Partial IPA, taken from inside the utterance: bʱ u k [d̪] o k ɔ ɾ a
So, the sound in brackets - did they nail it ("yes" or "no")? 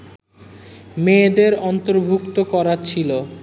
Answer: no